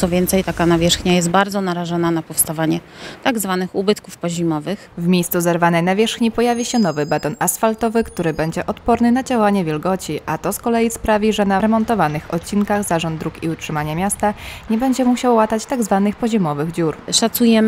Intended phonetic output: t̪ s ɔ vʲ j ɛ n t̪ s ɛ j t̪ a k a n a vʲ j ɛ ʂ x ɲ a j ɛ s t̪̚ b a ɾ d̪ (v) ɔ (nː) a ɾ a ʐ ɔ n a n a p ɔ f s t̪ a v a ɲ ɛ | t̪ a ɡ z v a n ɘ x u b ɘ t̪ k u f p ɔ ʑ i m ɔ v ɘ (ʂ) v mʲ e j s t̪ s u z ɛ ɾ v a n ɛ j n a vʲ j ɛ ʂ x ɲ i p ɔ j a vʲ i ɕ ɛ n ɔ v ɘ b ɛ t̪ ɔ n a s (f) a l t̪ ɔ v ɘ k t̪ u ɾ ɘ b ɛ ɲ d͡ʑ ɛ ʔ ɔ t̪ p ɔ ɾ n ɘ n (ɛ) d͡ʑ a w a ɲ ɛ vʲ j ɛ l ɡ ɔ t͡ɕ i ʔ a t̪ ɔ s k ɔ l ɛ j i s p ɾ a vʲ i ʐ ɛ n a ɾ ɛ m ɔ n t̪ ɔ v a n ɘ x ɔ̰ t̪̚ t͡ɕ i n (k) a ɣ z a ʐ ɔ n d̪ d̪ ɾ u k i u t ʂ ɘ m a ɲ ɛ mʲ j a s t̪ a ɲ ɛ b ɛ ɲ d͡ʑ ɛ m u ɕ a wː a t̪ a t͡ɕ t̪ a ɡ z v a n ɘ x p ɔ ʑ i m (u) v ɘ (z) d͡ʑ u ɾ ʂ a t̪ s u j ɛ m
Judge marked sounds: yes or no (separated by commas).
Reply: no, no, no, yes, no, yes, no, no